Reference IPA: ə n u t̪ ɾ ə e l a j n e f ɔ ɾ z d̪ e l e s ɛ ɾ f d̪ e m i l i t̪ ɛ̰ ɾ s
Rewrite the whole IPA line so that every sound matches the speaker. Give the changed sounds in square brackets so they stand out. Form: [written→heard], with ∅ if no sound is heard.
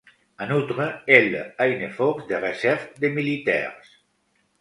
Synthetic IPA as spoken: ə n u t̪ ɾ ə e l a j n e f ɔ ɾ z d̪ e [l→r] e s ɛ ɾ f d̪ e m i l i t̪ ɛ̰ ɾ s